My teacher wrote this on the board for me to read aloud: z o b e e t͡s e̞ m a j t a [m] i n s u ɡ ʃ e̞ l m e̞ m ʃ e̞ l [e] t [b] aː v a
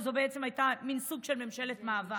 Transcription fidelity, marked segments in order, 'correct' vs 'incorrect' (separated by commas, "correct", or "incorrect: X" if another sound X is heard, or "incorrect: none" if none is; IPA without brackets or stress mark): correct, correct, incorrect: m